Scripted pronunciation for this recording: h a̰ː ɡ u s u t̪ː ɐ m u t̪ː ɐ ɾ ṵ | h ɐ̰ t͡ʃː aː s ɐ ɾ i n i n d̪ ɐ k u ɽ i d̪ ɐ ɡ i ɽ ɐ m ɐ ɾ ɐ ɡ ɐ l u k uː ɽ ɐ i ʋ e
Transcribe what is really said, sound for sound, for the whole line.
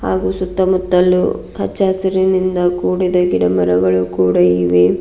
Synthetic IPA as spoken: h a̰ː ɡ u s u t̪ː ɐ m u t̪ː ɐ l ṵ | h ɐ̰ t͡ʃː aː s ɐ ɾ i n i n d̪ ɐ k uː ɽ i d̪ ɐ ɡ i ɽ ɐ m ɐ ɾ ɐ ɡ ɐ ɭ u k uː ɽ ɐ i ʋ e